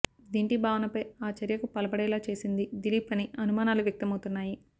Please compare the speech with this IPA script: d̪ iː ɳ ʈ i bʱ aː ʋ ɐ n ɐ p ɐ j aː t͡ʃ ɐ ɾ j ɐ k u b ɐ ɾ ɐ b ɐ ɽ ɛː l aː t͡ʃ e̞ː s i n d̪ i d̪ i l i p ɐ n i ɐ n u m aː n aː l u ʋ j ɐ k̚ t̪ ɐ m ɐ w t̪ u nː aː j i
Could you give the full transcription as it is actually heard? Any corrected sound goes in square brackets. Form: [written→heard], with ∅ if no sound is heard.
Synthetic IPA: d̪ iː ɳ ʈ i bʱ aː ʋ ɐ n ɐ p ɐ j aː t͡ʃ ɐ ɾ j ɐ k u [b→p] ɐ [ɾ→l] ɐ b ɐ ɽ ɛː l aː t͡ʃ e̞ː s i n d̪ i d̪ i l i p ɐ n i ɐ n u m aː n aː l u ʋ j ɐ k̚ t̪ ɐ m ɐ w t̪ u nː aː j i